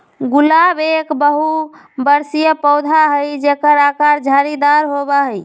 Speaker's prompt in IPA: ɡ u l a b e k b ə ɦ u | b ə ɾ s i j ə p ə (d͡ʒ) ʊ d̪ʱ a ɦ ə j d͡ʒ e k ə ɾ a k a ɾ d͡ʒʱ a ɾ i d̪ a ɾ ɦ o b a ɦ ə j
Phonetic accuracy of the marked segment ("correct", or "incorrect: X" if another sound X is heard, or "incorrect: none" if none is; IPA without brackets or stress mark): incorrect: none